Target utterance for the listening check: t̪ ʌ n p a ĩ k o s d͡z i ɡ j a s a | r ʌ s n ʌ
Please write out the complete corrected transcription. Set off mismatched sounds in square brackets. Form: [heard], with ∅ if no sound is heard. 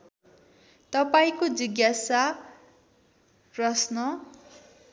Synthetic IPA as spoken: t̪ ʌ [∅] p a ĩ k o [∅] d͡z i ɡ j a s a | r ʌ s n ʌ